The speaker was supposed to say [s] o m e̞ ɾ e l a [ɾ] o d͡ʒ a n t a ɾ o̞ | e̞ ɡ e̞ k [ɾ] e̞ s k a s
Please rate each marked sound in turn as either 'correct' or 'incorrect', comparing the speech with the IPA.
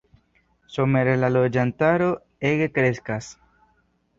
correct, incorrect, correct

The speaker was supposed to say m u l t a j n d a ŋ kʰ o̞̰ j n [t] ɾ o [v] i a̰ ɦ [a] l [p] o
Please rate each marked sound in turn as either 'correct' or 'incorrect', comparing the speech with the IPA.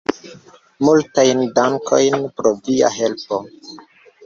incorrect, correct, incorrect, correct

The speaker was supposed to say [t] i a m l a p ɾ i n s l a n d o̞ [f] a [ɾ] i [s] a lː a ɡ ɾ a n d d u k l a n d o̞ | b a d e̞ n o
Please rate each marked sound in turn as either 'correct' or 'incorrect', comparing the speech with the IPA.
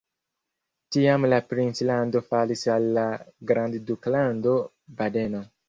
correct, correct, incorrect, correct

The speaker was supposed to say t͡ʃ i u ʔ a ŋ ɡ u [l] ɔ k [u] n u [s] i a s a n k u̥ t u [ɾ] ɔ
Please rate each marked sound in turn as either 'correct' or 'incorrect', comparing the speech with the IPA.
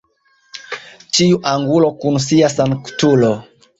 correct, correct, correct, incorrect

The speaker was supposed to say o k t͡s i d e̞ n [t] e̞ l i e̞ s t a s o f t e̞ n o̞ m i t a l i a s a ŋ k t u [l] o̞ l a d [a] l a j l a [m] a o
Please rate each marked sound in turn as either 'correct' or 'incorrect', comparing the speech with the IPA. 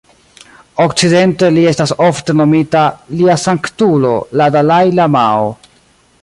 correct, correct, correct, correct

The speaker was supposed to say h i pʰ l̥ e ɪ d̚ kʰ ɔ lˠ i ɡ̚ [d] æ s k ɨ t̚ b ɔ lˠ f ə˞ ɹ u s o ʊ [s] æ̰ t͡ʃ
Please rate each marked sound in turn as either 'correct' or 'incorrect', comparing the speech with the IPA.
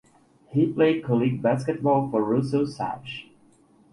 incorrect, correct

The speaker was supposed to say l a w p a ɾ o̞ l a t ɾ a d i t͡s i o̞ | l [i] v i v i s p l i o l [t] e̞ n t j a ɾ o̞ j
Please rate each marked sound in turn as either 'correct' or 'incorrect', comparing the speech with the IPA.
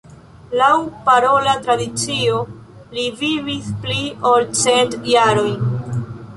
correct, incorrect

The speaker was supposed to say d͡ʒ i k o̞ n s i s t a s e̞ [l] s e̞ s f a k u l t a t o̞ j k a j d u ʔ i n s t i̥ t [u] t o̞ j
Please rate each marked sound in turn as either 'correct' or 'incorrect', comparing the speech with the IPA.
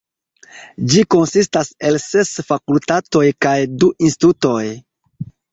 correct, correct

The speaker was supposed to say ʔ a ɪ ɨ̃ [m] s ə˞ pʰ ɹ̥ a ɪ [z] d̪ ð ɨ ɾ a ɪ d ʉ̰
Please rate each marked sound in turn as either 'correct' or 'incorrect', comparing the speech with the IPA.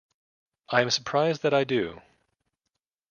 correct, correct

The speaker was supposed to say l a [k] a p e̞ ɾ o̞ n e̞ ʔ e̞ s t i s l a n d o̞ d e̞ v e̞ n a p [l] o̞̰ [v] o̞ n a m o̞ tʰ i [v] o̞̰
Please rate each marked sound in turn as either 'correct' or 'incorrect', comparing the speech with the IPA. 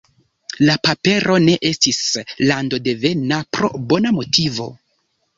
incorrect, incorrect, incorrect, correct

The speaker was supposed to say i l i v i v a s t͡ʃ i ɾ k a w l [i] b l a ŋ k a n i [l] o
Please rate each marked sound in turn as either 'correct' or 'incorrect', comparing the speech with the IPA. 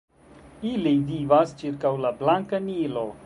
incorrect, correct

